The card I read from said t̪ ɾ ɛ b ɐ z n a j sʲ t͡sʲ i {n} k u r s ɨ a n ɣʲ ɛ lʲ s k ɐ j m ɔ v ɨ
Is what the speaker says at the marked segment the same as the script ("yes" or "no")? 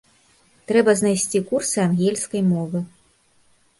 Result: no